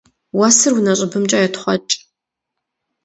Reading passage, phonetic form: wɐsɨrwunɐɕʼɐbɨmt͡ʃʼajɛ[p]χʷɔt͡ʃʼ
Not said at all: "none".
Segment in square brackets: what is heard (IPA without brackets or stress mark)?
t